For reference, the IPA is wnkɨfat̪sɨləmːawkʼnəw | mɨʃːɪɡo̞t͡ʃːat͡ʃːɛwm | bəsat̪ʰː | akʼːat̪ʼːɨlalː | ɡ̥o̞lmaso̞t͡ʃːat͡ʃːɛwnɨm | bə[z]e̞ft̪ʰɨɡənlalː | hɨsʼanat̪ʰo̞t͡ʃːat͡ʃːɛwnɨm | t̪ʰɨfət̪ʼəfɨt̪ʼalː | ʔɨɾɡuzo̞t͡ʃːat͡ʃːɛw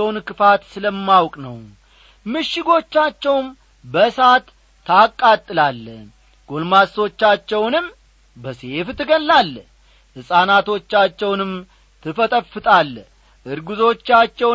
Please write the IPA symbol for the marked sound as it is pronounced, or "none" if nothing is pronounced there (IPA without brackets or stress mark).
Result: s